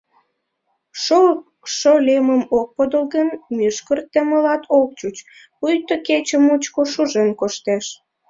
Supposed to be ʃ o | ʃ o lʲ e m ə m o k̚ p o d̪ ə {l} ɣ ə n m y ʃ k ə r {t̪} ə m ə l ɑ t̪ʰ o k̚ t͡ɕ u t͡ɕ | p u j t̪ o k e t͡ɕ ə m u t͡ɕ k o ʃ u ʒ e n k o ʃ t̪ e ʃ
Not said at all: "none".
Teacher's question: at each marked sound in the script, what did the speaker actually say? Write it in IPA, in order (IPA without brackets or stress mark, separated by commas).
l, t̪